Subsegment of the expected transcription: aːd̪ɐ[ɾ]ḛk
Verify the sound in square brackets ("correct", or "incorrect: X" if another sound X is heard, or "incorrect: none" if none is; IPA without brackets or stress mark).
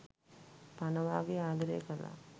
correct